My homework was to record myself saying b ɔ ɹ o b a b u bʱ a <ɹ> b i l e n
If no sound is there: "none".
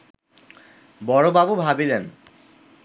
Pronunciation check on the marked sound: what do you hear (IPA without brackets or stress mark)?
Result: none